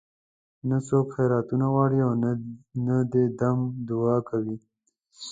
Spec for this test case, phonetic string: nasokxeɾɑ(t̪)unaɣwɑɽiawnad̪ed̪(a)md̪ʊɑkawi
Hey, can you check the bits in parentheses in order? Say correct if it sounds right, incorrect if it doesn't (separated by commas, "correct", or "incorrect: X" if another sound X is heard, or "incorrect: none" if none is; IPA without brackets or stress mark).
correct, correct